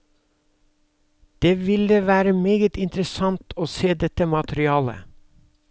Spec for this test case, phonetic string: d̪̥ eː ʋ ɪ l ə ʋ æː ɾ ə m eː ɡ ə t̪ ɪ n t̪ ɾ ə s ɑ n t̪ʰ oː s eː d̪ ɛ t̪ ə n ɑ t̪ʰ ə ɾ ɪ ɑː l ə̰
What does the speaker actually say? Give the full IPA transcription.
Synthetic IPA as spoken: d̪̥ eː ʋ ɪ l ə ʋ æː ɾ ə m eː ɡ ə t̪ ɪ n t̪ ɾ ə s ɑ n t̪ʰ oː s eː d̪ ɛ t̪ ə m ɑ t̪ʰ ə ɾ ɪ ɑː l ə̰